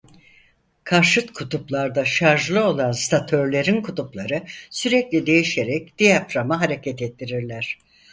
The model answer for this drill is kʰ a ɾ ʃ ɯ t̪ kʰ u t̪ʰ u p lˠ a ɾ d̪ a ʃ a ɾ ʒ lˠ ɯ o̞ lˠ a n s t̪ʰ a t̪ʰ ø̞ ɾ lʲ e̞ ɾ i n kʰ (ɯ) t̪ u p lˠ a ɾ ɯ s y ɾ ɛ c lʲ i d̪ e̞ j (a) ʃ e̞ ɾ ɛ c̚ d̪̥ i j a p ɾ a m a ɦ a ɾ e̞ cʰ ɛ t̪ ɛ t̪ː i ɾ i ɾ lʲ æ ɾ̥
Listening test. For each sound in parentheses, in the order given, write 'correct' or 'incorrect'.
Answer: incorrect, incorrect

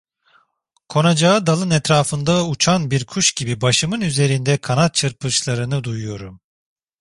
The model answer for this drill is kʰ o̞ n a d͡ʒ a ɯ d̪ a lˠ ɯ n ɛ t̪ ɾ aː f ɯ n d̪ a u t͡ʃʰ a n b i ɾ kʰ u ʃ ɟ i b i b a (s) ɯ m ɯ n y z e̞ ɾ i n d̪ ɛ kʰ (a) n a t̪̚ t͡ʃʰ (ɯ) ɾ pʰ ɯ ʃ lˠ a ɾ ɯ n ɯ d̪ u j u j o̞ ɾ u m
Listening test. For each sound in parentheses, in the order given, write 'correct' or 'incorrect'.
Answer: incorrect, correct, correct

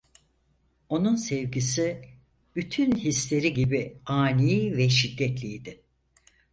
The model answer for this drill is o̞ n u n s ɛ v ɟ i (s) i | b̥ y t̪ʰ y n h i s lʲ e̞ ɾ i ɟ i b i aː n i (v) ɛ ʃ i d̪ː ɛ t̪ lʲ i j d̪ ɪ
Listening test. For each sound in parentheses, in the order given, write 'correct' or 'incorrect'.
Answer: correct, correct

